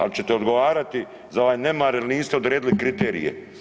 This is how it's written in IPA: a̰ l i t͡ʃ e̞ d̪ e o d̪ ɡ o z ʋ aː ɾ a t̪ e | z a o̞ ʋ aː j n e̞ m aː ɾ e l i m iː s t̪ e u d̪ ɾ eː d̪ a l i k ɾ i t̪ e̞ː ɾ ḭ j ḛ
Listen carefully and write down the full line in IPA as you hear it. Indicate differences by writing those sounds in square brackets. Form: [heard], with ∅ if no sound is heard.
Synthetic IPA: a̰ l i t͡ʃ e̞ [t̪] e o d̪ ɡ o [∅] ʋ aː ɾ a t̪ [i] | z a o̞ ʋ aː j n e̞ m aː ɾ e l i [n] iː s t̪ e [o] d̪ ɾ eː d̪ [i] l i k ɾ i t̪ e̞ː ɾ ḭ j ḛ